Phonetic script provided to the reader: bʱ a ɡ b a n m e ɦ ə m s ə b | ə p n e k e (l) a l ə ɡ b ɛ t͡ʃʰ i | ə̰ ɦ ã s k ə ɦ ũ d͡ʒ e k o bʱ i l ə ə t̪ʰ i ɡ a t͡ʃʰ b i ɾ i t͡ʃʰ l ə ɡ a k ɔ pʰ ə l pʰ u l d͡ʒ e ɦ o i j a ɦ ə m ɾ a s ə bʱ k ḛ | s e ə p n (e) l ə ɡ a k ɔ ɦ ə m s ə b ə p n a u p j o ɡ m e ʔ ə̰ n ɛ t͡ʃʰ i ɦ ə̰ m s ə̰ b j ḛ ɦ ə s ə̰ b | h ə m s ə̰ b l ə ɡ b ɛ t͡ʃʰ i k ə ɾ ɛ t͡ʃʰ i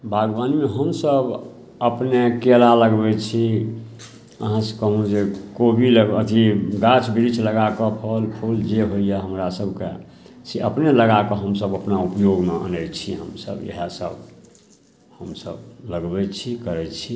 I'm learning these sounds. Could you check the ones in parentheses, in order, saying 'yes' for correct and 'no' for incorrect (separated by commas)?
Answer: yes, yes